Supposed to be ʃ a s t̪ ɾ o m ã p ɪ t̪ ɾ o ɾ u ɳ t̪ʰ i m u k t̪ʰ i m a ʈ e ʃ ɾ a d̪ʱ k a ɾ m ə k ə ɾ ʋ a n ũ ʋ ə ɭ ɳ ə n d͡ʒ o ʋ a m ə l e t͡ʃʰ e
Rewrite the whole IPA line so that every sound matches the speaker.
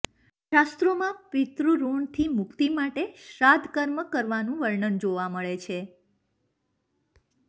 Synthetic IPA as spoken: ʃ a s t̪ ɾ o m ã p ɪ t̪ ɾ u ɾ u ɳ t̪ʰ i m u k t̪ i m a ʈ e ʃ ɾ a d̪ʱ k ə ɾ m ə k ə ɾ ʋ a n ũ ʋ ə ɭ ɳ ə n d͡ʒ o ʋ a m ə ɭ e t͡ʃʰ e